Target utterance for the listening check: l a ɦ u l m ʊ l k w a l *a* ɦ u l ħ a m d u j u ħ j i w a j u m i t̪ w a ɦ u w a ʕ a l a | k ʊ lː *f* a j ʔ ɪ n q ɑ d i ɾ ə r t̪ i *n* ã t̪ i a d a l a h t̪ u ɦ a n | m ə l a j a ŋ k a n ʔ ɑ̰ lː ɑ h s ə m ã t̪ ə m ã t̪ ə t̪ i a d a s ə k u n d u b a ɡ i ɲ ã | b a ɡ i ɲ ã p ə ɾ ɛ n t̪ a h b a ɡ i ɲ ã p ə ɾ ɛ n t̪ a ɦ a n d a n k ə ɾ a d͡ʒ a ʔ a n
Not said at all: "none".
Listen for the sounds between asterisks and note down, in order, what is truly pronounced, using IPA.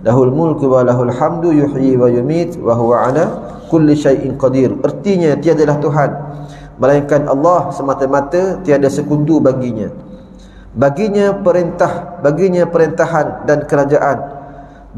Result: a, ʃ, ɲ

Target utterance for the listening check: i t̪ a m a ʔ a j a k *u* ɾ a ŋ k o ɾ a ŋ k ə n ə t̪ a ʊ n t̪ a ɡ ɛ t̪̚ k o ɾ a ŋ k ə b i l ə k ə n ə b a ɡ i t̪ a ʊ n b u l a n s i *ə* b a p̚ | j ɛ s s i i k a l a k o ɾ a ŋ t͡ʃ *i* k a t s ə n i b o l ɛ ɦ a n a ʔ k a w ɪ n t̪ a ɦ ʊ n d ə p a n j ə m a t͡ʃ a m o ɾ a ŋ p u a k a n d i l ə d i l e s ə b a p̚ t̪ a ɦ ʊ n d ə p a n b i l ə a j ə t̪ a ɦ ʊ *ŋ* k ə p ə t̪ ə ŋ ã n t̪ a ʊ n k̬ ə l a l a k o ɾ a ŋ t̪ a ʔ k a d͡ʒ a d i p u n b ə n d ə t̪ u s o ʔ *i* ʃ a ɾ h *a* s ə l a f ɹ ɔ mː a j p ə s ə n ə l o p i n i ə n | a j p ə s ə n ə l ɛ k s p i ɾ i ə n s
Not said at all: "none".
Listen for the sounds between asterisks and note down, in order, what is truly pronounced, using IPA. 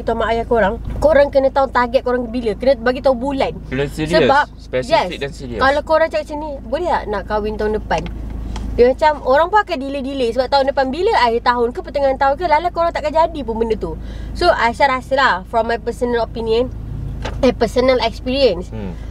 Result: o, ə, a, n, a, a

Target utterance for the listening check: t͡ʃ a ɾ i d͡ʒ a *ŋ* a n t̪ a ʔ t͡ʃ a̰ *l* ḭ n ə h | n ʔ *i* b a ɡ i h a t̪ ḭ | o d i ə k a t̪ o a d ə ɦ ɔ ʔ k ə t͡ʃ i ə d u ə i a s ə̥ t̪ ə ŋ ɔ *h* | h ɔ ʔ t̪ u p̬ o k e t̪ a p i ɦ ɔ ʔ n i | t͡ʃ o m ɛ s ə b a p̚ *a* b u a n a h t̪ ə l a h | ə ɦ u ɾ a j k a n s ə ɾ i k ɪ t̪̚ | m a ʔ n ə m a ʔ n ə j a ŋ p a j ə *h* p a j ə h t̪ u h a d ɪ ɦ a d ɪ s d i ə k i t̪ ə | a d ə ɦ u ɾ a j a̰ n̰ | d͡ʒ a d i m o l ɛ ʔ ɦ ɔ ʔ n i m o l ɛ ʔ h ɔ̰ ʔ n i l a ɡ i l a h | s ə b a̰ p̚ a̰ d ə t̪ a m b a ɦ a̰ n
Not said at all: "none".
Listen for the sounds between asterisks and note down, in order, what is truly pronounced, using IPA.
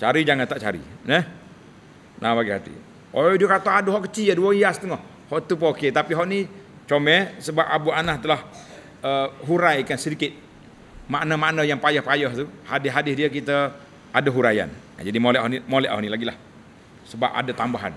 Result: ŋ, ɾ, a, h, a, h

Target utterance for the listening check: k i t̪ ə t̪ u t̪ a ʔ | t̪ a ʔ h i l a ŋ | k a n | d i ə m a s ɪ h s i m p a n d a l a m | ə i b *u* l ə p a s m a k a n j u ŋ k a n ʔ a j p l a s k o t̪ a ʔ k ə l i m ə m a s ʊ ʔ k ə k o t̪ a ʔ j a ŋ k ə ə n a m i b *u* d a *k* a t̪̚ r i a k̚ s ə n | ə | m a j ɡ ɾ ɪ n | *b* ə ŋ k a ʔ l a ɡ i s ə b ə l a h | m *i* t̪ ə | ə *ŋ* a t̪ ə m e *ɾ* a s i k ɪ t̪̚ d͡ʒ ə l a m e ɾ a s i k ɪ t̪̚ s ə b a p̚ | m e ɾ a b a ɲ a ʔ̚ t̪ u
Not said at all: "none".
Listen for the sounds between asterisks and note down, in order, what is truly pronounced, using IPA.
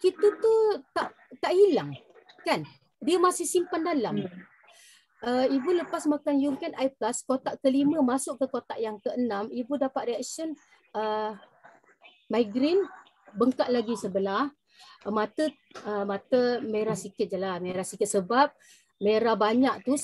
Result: u, u, p, b, a, m, ɾ

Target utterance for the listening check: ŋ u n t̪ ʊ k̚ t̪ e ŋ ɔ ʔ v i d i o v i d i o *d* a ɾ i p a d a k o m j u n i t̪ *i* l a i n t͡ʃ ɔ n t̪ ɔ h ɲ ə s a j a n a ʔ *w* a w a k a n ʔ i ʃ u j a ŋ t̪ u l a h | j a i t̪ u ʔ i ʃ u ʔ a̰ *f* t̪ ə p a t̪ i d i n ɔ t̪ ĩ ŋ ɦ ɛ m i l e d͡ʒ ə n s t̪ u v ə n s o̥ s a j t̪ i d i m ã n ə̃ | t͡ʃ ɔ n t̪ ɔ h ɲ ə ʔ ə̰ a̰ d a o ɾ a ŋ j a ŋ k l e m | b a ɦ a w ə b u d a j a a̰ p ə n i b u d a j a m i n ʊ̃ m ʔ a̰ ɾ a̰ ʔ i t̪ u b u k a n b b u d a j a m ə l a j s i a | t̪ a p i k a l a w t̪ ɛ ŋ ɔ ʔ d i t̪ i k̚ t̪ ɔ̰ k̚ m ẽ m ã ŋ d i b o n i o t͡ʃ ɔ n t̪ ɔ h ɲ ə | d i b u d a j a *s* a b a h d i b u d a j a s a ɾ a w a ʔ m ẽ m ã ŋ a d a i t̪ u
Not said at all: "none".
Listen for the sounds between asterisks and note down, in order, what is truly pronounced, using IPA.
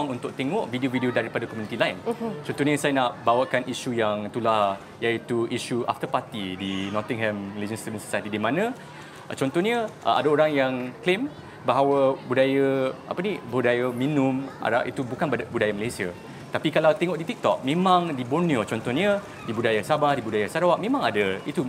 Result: d, i, b, f, s

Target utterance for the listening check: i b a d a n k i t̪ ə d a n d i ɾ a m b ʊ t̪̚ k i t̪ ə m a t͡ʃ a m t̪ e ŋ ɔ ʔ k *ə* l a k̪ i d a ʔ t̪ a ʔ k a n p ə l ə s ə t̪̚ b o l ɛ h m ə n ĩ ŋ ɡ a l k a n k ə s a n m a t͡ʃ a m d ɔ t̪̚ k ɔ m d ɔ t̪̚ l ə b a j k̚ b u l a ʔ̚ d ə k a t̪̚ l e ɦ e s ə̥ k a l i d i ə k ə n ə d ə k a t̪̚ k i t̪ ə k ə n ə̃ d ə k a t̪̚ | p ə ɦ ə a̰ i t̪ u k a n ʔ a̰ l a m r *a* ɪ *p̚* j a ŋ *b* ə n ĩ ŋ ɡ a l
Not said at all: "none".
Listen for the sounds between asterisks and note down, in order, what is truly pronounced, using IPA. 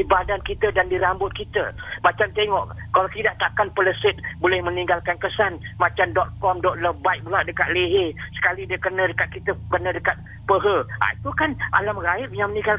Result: a, a, p̚, m

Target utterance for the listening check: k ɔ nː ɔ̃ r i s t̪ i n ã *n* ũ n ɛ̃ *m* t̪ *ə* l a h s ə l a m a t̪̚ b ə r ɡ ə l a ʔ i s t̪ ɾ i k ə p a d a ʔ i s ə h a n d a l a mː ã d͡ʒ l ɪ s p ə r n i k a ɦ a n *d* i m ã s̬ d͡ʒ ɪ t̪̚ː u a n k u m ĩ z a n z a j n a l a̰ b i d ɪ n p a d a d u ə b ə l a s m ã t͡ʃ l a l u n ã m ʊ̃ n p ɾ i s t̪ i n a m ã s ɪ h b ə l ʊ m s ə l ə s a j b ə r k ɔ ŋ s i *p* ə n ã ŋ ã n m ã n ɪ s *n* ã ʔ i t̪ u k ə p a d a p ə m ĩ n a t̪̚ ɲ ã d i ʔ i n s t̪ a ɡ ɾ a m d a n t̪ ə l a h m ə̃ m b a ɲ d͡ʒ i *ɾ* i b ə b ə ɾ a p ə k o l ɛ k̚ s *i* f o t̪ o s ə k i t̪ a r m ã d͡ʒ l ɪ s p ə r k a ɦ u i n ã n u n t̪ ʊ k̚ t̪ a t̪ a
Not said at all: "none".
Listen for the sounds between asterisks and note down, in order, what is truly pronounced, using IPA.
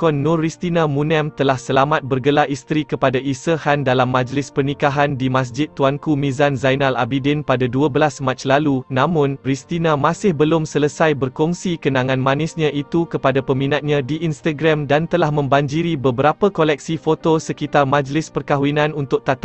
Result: m, m, ə, d, k, ɲ, ɾ, i

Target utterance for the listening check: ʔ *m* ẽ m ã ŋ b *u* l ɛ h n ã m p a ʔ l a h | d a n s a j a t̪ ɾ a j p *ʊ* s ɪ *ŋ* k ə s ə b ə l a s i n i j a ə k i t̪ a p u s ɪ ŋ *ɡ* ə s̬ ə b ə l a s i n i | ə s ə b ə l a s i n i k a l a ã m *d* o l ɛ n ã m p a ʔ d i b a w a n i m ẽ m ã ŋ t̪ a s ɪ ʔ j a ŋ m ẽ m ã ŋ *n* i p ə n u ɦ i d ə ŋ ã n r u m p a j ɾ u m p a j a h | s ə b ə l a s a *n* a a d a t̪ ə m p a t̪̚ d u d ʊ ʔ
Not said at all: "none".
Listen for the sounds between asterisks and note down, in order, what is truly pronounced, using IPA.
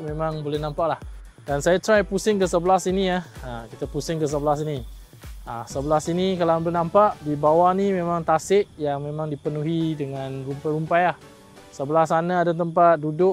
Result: m, o, u, ŋ, k, b, d, n

